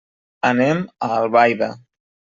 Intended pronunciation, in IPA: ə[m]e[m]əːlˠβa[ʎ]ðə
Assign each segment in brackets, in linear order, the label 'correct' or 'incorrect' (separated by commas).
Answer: incorrect, correct, incorrect